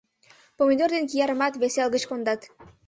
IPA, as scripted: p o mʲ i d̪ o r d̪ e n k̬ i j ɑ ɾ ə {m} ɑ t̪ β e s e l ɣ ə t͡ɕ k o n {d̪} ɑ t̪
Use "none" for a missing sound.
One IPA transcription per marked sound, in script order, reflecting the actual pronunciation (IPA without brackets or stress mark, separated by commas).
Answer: m, d̪